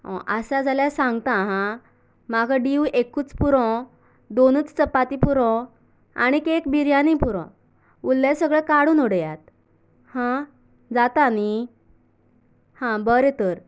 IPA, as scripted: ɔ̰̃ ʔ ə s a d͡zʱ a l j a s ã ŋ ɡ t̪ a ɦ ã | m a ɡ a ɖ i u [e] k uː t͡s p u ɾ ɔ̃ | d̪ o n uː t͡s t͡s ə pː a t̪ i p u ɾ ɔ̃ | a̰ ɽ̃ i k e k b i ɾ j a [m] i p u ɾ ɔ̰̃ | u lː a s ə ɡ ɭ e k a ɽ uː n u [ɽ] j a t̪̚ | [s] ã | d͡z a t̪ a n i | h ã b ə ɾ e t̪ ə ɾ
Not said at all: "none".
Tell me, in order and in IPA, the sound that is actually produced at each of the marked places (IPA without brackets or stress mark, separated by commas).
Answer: e, n, ɽ, h